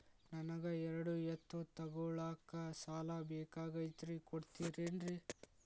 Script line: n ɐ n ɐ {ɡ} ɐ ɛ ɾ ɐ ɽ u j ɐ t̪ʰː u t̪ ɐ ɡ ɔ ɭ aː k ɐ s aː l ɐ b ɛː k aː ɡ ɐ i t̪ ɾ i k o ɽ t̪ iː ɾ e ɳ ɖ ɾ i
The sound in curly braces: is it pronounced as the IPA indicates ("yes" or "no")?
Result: yes